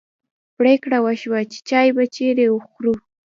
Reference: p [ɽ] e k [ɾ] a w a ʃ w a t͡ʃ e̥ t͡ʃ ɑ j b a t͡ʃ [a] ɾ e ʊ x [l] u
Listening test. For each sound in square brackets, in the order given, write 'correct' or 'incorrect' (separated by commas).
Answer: correct, incorrect, incorrect, incorrect